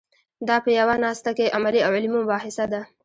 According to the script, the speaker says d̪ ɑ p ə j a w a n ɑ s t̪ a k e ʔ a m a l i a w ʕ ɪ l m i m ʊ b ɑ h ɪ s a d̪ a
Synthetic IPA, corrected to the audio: d̪ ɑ p ə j a w a n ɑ s t̪ a k e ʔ a m a l i a w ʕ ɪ l m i m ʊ b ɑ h ɪ s a d̪ a